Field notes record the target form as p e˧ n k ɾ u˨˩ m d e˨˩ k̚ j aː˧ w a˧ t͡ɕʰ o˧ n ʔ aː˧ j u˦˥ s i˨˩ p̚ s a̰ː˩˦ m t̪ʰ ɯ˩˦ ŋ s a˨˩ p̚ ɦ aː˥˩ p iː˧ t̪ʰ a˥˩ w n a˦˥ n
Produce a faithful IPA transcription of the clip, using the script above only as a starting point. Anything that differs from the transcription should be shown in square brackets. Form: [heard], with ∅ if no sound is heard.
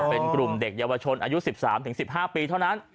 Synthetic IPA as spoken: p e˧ n k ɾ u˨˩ m d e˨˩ k̚ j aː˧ w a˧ t͡ɕʰ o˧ n ʔ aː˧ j u˦˥ s i˨˩ p̚ s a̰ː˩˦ m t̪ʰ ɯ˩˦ ŋ s [i˨˩] p̚ ɦ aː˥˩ p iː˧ t̪ʰ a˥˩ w n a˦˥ n